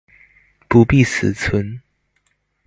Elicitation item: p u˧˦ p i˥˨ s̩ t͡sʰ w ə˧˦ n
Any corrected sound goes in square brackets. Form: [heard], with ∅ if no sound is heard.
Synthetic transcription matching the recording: p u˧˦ p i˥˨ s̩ t͡sʰ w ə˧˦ n

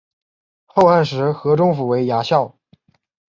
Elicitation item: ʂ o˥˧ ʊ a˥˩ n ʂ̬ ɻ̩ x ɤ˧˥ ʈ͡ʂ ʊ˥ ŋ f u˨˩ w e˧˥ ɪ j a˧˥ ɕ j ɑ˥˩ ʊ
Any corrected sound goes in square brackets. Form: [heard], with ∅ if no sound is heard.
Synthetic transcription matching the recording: [x] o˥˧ ʊ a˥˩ n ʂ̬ ɻ̩ x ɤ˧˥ ʈ͡ʂ ʊ˥ ŋ f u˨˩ w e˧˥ ɪ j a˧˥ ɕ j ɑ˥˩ ʊ

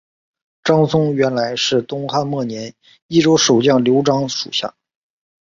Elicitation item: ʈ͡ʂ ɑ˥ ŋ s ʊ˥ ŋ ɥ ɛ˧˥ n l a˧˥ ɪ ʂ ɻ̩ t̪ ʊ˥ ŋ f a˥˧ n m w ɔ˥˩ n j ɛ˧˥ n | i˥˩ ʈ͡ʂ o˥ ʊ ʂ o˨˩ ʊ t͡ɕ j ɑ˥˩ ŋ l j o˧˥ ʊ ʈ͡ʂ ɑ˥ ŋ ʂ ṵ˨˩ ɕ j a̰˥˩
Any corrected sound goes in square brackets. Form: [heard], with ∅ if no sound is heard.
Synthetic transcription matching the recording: ʈ͡ʂ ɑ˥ ŋ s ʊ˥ ŋ ɥ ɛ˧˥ n l a˧˥ ɪ ʂ ɻ̩ t̪ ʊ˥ ŋ [x] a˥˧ n m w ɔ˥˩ n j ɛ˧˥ n | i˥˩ ʈ͡ʂ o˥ ʊ ʂ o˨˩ ʊ t͡ɕ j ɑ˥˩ ŋ l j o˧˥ ʊ ʈ͡ʂ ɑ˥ ŋ ʂ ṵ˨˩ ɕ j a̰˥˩

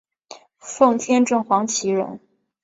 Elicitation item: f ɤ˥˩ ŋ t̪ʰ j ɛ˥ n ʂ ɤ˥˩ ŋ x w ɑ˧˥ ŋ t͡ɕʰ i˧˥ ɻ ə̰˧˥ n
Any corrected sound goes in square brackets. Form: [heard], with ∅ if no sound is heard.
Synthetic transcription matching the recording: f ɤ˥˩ ŋ t̪ʰ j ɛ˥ n [ʈ͡ʂ] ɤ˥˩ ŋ x w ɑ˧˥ ŋ t͡ɕʰ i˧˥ ɻ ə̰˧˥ n

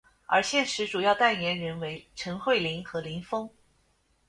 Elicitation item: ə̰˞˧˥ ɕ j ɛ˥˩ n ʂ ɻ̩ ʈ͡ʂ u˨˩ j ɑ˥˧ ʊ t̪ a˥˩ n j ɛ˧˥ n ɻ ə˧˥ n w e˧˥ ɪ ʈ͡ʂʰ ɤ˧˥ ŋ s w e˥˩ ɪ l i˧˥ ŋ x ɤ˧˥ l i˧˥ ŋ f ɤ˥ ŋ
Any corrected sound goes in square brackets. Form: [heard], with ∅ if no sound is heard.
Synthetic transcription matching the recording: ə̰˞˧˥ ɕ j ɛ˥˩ n ʂ ɻ̩ ʈ͡ʂ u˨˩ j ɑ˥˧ ʊ t̪ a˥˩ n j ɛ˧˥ n ɻ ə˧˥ n w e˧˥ ɪ ʈ͡ʂʰ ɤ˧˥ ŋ [x] w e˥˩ ɪ l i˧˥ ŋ x ɤ˧˥ l i˧˥ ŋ f ɤ˥ ŋ

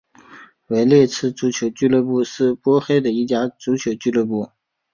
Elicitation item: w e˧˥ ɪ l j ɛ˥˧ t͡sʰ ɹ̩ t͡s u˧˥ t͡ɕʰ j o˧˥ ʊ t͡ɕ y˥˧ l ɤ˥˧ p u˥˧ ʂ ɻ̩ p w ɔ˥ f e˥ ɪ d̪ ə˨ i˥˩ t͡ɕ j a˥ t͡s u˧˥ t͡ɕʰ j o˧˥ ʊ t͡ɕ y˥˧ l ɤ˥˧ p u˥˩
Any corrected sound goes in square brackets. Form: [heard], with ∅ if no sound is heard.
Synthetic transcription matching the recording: w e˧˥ ɪ l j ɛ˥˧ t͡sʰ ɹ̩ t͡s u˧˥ t͡ɕʰ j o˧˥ ʊ t͡ɕ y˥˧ l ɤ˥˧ p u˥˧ ʂ ɻ̩ p w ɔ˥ [x] e˥ ɪ d̪ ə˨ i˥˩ t͡ɕ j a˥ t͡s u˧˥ t͡ɕʰ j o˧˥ ʊ t͡ɕ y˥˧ l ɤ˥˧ p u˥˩

